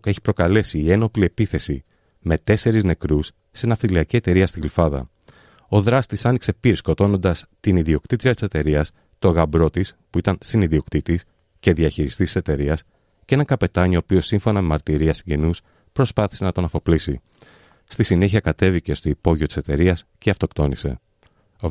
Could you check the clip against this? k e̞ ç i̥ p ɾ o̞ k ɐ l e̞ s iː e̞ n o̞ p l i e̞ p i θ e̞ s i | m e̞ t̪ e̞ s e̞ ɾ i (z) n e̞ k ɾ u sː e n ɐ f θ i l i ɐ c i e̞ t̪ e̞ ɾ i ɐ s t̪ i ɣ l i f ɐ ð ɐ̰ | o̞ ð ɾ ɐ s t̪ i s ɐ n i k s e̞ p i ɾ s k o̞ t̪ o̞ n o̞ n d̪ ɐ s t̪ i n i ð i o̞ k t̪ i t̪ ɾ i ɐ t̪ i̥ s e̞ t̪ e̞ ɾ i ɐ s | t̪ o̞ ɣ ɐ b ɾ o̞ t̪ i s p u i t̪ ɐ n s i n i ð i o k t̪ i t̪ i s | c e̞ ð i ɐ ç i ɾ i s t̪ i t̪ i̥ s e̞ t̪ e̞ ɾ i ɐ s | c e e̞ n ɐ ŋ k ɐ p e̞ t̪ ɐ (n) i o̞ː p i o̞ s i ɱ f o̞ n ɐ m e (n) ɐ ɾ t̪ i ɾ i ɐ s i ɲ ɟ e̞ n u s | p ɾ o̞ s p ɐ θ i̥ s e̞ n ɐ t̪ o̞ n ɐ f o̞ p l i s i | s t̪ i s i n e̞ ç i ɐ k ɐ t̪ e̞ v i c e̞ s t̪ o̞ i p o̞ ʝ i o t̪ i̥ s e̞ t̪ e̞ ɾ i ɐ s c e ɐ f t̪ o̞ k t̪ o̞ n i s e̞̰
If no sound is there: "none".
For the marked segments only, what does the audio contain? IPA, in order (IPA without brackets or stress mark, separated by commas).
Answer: z, ɲ, m